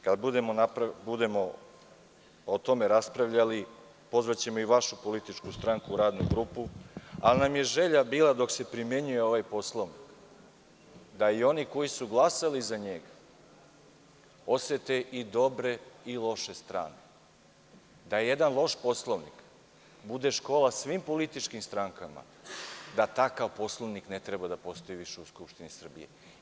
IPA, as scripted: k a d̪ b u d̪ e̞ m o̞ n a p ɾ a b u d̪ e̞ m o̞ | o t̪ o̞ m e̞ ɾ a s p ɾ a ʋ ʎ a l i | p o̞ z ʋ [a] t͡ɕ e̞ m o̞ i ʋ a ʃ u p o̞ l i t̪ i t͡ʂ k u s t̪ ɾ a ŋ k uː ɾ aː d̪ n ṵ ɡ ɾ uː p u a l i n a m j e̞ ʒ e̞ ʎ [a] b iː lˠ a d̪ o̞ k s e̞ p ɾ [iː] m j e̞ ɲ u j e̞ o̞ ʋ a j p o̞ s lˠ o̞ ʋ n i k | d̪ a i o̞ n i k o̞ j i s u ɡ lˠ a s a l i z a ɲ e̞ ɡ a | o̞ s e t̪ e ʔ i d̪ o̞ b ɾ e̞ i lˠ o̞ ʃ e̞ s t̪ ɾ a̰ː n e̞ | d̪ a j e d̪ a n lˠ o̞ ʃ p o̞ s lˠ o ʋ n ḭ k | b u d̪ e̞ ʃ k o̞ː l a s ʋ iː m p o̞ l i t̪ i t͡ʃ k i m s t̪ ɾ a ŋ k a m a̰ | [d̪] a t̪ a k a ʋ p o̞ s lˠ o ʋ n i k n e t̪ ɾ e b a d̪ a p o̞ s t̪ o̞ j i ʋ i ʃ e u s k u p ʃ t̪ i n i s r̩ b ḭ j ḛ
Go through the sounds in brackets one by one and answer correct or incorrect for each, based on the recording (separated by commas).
correct, correct, incorrect, correct